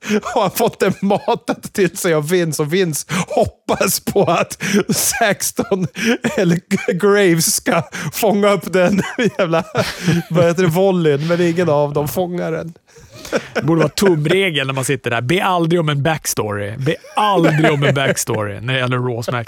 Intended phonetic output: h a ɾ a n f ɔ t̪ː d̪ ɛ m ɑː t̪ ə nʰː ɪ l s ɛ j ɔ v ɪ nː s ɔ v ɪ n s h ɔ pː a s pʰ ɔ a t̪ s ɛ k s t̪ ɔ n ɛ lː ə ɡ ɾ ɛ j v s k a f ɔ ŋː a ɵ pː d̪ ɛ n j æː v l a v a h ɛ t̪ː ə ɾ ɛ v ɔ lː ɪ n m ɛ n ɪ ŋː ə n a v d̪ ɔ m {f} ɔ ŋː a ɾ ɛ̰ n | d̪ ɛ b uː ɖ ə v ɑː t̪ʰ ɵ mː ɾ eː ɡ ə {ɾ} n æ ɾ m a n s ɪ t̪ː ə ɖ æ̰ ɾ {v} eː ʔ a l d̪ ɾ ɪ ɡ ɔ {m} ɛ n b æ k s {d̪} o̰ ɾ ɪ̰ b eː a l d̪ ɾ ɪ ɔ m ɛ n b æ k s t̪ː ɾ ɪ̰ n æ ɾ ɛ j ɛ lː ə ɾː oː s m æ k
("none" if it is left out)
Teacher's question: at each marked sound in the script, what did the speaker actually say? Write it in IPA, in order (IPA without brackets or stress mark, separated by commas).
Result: f, l, b, m, t̪